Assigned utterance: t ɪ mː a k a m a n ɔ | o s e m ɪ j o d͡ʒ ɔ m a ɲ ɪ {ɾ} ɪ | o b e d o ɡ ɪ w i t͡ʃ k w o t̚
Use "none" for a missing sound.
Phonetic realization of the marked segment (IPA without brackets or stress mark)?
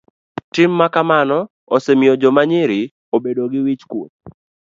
ɾ